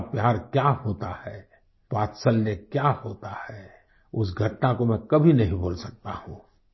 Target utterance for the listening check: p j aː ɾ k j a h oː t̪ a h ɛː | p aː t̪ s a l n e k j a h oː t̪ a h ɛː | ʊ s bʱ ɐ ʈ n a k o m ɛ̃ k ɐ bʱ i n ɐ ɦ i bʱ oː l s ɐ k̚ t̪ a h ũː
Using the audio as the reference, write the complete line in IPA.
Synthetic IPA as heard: p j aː ɾ k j a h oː t̪ a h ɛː | p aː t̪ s ə l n e k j a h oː t̪ a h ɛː | ʊ s ɡʱ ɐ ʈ n a k o m ɛ̃ k ɐ bʱ i n ɐ ɦ ĩ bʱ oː l s ɐ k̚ t̪ a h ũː